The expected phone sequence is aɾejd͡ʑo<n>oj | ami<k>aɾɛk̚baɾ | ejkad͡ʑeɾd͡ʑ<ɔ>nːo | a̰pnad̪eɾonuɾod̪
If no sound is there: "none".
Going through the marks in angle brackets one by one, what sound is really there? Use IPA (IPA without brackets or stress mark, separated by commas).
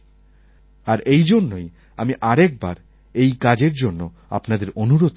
nː, ʔ, o